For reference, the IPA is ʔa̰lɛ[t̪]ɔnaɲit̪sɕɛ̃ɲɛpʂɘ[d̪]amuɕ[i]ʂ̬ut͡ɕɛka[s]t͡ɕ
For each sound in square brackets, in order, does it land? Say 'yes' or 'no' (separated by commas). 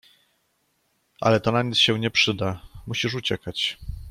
yes, yes, yes, no